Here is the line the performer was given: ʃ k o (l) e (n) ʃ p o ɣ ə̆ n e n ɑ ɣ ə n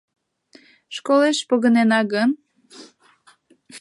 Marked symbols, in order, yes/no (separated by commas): yes, no